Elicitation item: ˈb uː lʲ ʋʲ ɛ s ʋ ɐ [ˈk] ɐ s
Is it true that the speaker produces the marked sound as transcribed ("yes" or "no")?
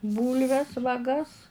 no